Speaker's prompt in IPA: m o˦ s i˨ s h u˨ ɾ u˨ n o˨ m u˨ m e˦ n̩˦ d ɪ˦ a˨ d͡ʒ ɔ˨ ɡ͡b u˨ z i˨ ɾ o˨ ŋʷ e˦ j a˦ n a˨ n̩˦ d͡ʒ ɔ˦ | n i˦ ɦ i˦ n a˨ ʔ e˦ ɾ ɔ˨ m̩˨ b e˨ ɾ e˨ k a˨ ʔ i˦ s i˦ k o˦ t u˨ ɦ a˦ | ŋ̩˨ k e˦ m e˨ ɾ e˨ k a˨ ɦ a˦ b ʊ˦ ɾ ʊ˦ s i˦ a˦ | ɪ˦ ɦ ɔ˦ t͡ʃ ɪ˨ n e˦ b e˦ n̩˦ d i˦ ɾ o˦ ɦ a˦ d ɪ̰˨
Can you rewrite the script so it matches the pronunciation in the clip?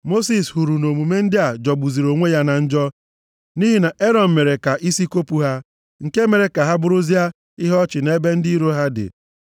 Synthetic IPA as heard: m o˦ s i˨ s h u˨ ɾ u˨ n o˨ m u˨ m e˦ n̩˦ d ɪ˦ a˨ d͡ʒ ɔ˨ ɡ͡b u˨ z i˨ ɾ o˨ ŋʷ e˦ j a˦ n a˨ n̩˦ d͡ʒ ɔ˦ | n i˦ ɦ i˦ n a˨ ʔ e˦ ɾ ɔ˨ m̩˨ m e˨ ɾ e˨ k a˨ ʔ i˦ s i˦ k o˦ p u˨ ɦ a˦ | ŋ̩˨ k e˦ m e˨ ɾ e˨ k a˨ ɦ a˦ b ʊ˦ ɾ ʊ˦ z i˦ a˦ | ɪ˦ ɦ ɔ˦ t͡ʃ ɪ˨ n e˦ b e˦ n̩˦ d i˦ ɾ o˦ ɦ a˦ d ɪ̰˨

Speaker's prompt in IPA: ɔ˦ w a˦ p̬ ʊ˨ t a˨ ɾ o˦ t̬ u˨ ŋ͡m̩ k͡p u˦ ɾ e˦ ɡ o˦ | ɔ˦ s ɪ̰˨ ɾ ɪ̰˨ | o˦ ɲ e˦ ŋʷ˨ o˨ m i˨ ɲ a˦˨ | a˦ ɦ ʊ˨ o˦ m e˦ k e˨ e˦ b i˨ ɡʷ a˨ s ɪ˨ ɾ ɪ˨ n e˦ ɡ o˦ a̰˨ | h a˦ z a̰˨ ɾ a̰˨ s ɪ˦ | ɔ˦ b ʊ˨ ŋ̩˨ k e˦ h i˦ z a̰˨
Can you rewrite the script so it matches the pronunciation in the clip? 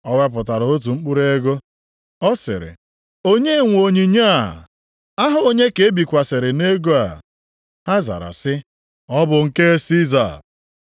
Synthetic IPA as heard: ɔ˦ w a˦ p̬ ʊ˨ t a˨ ɾ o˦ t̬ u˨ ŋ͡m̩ k͡p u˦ ɾ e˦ ɡ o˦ | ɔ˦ s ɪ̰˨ ɾ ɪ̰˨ | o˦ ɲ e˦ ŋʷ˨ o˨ ɲ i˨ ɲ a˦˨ | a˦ ɦ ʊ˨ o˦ ɲ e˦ k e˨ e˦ b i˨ kʷ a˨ s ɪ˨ ɾ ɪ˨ n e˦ ɡ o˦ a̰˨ | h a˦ z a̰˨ ɾ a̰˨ s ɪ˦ | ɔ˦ b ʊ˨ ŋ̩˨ k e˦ s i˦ z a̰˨

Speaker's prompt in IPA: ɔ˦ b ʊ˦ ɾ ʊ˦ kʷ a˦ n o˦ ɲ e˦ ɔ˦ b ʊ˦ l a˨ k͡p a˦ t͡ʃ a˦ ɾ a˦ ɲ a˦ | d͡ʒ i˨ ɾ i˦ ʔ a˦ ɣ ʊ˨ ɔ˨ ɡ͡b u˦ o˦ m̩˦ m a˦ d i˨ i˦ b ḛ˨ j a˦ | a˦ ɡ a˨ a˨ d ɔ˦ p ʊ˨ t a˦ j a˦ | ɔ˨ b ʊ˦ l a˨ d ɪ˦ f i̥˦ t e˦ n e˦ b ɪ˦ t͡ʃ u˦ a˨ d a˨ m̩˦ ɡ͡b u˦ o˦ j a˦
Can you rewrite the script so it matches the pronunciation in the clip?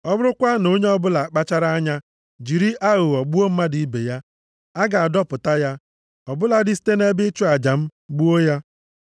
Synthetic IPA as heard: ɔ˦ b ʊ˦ ɾ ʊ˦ kʷ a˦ n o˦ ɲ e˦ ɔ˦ b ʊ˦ l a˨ k͡p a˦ t͡ʃ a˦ ɾ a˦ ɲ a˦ | d͡ʒ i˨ ɾ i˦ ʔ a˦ ɣ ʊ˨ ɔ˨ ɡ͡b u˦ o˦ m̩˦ m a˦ d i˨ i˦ b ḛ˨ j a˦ | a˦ ɡ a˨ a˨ d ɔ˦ p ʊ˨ t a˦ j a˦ | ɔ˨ b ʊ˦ l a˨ d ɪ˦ s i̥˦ t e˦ n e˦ b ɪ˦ t͡ʃ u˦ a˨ d͡ʒ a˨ m̩˦ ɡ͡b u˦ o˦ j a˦

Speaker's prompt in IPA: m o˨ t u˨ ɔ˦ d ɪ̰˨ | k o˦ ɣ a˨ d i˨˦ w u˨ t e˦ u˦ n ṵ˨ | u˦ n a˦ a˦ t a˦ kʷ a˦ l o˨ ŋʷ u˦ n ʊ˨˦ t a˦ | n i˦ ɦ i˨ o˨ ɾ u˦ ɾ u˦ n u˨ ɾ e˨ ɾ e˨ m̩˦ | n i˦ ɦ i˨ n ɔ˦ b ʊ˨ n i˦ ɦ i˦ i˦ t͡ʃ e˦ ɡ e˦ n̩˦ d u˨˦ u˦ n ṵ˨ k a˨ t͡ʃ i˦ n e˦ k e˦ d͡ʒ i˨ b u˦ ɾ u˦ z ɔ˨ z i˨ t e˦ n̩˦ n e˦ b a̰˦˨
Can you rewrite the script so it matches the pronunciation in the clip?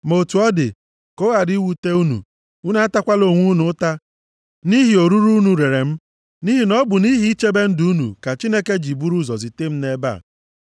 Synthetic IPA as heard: m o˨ t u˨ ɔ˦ d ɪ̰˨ | k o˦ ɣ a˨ d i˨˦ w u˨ t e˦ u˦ n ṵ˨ | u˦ n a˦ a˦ t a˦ kʷ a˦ l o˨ ŋʷ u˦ n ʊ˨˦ t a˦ | n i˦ ɦ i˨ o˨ ɾ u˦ ɾ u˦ n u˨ ɾ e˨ ɾ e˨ m̩˦ | n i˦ ɦ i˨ n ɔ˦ b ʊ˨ n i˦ ɦ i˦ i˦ t͡ʃ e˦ b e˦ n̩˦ d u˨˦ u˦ n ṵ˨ k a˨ t͡ʃ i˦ n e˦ k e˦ d͡ʒ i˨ b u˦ ɾ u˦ z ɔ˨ z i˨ t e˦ m̩˦ n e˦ b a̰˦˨

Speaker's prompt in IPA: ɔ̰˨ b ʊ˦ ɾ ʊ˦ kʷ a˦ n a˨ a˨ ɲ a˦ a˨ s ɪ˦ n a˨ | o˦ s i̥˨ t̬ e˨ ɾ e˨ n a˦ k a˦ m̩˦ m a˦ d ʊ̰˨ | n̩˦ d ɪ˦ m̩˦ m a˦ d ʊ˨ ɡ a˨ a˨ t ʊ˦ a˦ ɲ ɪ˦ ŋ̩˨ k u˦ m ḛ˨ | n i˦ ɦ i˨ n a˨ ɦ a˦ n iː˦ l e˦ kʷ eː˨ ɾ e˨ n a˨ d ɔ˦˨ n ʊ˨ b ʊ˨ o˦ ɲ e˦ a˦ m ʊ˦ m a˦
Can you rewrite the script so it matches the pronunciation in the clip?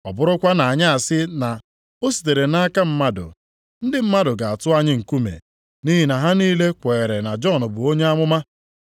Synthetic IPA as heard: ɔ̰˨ b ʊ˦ ɾ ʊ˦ kʷ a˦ n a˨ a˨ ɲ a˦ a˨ s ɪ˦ n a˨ | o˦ s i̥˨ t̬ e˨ ɾ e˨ n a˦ k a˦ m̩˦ m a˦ d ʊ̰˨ | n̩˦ d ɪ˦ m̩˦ m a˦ d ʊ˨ ɡ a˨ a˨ t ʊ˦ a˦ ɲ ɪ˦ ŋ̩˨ k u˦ m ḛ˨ | n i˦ ɦ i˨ n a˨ ɦ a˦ n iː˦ l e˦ kʷ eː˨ ɾ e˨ n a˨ d͡ʒ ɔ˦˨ n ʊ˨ b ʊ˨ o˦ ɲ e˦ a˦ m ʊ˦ m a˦

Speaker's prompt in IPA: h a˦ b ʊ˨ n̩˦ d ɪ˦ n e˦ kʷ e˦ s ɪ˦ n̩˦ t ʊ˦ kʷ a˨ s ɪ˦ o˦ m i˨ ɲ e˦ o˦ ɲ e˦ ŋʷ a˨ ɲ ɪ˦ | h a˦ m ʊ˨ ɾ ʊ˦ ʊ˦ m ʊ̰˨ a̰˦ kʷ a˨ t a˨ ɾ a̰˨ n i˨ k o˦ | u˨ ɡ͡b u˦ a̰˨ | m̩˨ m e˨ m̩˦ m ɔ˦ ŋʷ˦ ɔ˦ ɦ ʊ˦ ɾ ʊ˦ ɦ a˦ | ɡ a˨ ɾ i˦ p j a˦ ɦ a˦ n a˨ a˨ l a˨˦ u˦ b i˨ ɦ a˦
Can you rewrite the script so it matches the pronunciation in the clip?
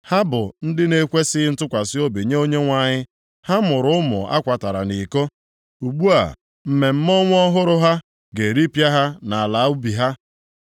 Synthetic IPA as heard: h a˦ b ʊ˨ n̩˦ d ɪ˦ n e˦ kʷ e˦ s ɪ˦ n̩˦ t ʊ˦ kʷ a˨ s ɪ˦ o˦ b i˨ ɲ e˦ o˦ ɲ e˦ ŋʷ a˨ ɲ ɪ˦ | h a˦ m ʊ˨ ɾ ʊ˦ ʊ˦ m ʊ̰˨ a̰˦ kʷ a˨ t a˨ ɾ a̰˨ n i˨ k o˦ | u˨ ɡ͡b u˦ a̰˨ | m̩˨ m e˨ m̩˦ m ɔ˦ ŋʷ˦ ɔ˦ ɦ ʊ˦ ɾ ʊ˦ ɦ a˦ | ɡ e˨ ɾ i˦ p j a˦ ɦ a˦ n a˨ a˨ l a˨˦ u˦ b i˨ ɦ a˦

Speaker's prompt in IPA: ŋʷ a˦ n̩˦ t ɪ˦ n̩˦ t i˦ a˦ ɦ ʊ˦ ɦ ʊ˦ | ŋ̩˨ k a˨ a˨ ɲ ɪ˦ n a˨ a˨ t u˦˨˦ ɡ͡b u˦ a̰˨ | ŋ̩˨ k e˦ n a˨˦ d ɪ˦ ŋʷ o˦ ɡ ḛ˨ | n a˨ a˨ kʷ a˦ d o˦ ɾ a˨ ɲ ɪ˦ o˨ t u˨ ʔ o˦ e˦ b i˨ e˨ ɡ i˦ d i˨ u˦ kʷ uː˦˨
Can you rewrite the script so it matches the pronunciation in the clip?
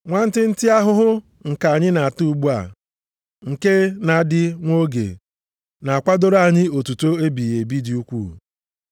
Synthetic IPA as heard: ŋʷ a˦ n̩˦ t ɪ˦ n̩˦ t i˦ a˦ ɦ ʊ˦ ɦ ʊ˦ | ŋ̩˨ k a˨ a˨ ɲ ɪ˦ n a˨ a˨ t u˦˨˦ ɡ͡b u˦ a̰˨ | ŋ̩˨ k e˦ n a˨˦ d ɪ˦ ŋʷ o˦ ɡ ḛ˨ | n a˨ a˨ kʷ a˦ d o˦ ɾ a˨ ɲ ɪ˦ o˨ t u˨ t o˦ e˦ b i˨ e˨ b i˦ d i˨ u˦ kʷ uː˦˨

